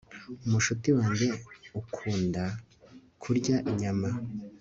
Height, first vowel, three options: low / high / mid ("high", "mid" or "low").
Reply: high